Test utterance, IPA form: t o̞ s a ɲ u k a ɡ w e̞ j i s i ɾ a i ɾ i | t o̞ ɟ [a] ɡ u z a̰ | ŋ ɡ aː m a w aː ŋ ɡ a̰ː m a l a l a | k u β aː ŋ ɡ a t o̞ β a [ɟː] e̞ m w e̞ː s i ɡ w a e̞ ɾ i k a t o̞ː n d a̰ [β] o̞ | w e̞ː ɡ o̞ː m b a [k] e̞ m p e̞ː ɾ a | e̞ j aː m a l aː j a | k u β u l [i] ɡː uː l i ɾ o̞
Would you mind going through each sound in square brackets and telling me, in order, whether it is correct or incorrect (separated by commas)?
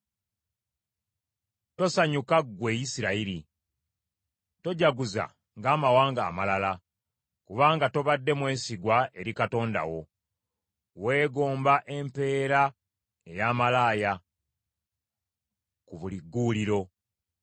correct, incorrect, incorrect, incorrect, correct